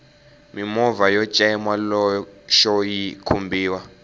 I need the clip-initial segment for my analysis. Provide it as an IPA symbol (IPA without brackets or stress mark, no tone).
m